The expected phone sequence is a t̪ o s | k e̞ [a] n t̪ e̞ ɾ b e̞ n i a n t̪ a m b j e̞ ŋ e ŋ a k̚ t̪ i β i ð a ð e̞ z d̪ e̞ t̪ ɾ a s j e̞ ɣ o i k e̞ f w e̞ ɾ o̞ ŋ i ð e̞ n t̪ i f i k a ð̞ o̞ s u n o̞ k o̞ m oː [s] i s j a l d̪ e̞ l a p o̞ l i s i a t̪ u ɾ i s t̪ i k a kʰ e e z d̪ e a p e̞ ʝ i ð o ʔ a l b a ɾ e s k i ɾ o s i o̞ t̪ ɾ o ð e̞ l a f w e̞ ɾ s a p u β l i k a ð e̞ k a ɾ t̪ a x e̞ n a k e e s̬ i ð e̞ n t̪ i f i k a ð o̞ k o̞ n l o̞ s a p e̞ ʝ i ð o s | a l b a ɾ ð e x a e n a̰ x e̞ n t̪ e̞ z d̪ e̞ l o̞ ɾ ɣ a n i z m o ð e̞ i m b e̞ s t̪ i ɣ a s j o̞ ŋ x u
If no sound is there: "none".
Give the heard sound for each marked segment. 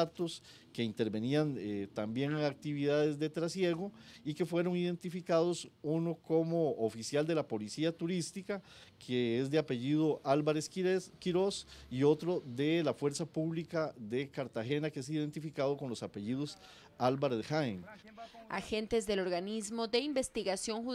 i, f

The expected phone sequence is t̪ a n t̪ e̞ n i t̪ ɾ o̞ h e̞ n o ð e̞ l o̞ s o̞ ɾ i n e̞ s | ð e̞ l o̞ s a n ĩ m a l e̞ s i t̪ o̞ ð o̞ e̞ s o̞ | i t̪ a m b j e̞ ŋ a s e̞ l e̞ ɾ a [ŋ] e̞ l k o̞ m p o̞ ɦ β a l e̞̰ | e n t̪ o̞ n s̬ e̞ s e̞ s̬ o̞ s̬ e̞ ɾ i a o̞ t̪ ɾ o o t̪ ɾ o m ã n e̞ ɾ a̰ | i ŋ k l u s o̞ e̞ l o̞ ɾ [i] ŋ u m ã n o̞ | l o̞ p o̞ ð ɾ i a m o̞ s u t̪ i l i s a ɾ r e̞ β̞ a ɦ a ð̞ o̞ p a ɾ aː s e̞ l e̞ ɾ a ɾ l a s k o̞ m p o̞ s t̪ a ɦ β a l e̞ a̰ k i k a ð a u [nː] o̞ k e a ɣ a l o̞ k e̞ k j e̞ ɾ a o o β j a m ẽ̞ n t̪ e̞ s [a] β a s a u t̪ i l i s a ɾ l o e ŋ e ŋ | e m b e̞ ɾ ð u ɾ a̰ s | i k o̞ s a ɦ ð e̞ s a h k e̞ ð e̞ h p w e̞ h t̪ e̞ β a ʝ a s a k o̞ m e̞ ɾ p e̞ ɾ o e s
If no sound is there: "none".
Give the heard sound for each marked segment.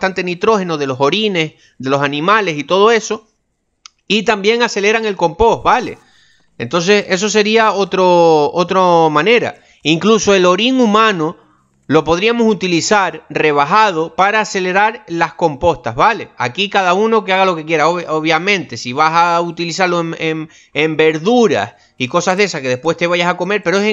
ŋ, i, n, i

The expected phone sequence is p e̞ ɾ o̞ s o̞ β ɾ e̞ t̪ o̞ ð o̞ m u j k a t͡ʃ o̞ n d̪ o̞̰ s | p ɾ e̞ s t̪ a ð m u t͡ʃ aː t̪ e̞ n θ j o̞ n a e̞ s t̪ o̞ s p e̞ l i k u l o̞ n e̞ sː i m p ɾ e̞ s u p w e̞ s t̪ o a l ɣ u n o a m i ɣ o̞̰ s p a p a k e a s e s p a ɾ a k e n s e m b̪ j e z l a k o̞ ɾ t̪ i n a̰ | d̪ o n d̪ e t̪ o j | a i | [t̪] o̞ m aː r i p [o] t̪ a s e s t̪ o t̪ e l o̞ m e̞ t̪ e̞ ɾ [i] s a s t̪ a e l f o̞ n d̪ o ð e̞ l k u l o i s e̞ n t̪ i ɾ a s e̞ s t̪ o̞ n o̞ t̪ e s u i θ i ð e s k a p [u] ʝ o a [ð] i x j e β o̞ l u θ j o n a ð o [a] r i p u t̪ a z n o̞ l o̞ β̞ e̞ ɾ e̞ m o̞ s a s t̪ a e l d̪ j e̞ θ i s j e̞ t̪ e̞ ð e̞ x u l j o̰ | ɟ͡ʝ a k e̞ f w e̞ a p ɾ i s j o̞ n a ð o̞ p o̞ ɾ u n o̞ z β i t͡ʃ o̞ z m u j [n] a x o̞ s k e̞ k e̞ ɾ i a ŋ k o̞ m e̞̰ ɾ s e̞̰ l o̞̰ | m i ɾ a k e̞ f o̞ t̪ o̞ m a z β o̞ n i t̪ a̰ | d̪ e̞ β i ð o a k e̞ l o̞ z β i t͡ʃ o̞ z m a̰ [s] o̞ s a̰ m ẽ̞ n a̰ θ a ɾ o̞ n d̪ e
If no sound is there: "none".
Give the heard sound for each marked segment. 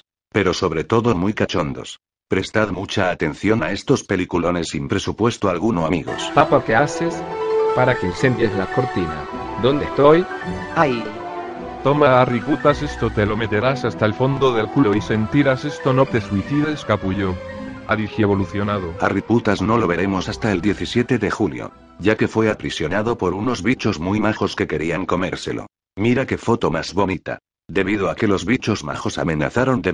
t̪, u, a, u, ð, a, m, x

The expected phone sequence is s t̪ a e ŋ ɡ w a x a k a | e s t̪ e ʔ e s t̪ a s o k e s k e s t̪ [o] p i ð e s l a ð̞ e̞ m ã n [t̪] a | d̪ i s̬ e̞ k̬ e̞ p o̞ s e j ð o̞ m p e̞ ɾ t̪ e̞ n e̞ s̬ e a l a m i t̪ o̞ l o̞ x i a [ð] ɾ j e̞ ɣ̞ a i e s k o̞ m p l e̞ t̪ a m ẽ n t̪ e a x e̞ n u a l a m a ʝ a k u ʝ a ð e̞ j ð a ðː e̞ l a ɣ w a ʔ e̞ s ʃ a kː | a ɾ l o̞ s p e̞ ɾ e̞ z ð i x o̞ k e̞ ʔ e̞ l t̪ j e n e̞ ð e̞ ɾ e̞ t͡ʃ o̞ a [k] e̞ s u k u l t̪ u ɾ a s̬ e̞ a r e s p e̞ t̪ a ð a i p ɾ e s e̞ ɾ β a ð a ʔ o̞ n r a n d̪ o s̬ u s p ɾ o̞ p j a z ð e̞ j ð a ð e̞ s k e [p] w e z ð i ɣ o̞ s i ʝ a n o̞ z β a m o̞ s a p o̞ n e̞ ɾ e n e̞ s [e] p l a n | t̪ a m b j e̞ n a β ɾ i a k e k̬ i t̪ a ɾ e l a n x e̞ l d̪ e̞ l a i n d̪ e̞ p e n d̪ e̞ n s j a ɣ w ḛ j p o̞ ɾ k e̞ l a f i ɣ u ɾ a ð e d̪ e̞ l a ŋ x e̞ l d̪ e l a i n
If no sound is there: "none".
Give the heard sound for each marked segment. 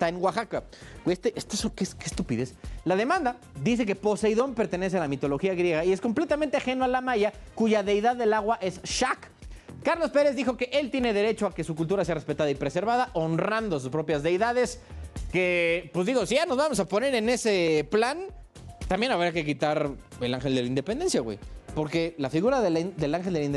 u, d̪, ɣ, k, p, e

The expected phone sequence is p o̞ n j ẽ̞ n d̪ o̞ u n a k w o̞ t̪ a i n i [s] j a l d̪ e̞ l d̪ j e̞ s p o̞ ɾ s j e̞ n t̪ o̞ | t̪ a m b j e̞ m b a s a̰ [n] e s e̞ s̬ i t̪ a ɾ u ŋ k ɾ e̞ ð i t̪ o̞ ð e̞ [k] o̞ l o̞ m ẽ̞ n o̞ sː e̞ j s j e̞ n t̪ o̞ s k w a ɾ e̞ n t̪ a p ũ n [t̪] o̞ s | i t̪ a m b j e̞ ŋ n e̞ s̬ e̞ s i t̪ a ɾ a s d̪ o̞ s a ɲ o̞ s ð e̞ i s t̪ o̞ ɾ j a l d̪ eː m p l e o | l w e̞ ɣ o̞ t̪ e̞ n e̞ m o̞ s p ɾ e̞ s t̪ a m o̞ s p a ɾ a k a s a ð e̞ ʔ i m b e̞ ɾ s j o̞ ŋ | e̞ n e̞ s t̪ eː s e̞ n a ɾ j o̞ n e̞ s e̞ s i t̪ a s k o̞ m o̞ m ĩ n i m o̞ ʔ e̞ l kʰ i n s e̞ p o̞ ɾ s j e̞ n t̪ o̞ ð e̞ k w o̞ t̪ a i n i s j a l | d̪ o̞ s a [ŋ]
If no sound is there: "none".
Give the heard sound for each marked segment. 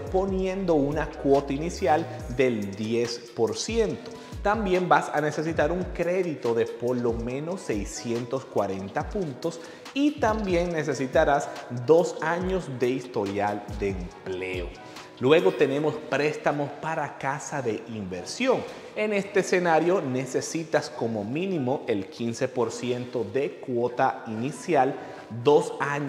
s, n, p, t̪, ɲ

